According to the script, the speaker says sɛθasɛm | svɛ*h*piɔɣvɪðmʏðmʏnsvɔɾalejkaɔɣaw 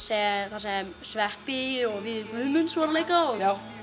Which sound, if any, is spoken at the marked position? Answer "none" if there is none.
h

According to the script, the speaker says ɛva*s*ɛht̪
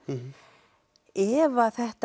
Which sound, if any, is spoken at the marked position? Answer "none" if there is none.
θ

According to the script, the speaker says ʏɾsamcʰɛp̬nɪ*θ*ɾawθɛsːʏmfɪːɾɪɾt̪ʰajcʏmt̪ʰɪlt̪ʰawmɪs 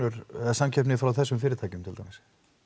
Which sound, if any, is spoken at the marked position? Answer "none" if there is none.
f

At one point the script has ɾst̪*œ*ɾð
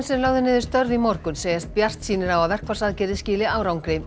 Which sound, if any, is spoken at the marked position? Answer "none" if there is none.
œ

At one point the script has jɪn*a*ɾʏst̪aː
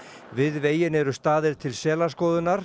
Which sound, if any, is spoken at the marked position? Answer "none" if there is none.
ɛ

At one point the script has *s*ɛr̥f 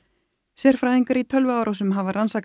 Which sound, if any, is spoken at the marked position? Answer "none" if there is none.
s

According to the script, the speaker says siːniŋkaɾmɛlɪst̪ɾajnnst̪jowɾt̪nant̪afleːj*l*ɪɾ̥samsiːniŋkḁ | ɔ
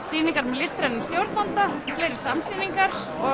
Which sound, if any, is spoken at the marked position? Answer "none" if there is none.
ɾ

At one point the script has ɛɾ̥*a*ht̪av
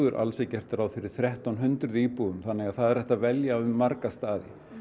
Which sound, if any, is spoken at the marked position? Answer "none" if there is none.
ɛ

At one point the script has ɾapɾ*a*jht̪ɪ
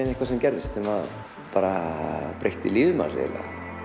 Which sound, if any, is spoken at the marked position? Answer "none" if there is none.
e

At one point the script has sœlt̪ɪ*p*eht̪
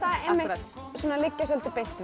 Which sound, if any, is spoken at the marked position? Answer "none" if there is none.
p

